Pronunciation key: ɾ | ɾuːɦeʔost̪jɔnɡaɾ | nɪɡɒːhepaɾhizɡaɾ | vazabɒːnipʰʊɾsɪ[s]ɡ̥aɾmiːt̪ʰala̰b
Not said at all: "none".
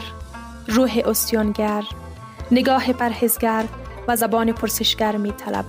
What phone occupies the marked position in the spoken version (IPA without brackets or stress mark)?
ʃ